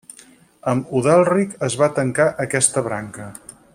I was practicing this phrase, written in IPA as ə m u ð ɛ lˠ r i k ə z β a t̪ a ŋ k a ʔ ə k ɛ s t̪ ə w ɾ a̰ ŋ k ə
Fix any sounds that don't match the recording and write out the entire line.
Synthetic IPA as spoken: ə m u ð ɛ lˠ r i k ə z β a t̪ ə ŋ k a ʔ ə k ɛ s t̪ ə β ɾ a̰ ŋ k ə